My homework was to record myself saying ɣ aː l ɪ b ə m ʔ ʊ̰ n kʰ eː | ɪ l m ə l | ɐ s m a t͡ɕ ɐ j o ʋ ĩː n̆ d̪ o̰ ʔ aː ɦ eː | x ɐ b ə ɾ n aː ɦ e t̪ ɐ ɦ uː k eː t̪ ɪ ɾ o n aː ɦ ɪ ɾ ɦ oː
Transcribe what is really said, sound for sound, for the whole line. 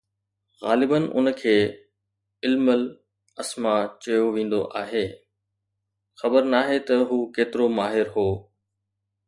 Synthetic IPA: ɣ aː l ɪ b ə n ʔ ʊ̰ n kʰ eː | ɪ l m ə l | ɐ s m a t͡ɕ ɐ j o ʋ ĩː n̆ d̪ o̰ ʔ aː ɦ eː | x ɐ b ə ɾ n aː ɦ e t̪ ɐ ɦ uː k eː t̪ ɪ ɾ o m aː ɦ ɪ ɾ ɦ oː